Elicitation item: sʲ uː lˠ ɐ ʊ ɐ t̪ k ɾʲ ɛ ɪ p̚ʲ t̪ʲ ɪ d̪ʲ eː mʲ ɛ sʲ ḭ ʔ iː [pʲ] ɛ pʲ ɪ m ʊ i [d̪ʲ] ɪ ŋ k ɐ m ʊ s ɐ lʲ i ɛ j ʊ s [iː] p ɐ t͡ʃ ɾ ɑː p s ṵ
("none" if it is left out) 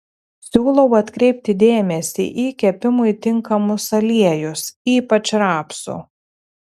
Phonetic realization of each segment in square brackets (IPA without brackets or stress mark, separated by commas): kʲ, t̪ʲ, iː